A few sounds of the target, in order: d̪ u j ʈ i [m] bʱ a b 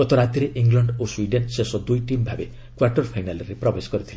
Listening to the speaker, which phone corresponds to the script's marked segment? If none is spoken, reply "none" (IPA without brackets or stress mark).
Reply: m